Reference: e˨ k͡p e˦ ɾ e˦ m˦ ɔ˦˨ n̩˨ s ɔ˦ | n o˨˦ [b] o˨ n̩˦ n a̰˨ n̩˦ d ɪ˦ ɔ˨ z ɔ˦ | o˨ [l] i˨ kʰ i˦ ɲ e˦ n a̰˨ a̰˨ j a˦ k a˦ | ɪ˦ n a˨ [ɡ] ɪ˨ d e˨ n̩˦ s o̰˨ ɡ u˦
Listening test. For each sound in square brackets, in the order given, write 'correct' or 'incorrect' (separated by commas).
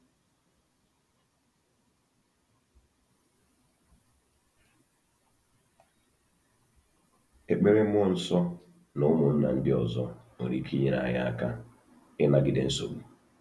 incorrect, incorrect, correct